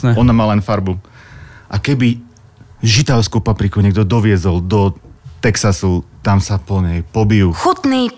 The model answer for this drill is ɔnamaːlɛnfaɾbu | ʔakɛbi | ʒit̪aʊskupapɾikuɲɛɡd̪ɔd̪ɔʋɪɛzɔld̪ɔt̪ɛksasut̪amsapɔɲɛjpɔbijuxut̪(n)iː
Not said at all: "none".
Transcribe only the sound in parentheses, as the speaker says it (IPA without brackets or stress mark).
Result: n